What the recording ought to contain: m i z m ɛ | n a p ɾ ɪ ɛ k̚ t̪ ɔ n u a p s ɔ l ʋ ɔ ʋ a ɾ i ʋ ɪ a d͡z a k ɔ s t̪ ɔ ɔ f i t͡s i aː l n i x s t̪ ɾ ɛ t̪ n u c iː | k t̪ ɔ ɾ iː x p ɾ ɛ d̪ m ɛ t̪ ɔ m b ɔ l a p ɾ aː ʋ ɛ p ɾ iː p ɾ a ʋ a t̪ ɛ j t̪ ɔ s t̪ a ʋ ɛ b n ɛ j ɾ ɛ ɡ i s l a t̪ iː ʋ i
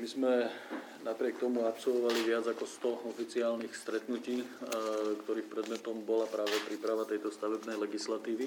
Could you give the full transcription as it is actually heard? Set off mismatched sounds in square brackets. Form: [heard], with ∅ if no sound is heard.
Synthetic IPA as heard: m i z m ɛ | n a p ɾ ɪ ɛ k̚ t̪ ɔ [m] u a p s ɔ l ʋ ɔ ʋ a [l] i ʋ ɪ a d͡z a k ɔ s t̪ ɔ ɔ f i t͡s i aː l n i x s t̪ ɾ ɛ t̪ n u c iː | k t̪ ɔ ɾ iː x p ɾ ɛ d̪ m ɛ t̪ ɔ m b ɔ l a p ɾ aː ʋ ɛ p ɾ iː p ɾ a ʋ a t̪ ɛ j t̪ ɔ s t̪ a ʋ ɛ b n ɛ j [l] ɛ ɡ i s l a t̪ iː ʋ i